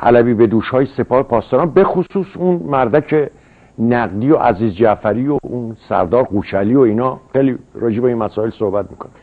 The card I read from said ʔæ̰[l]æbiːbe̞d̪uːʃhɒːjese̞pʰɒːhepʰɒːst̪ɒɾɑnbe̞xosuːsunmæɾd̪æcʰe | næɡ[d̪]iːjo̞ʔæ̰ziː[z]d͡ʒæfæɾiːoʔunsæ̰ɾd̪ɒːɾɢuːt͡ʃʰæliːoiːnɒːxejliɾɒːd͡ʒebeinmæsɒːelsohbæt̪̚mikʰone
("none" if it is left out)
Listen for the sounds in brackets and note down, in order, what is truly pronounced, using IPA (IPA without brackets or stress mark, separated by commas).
l, d̪, z